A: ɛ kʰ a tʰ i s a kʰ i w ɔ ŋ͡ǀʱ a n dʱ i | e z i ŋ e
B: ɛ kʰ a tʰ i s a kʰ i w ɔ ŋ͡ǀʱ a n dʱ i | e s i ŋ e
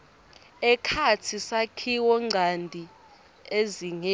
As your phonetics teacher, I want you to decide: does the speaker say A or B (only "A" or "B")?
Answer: A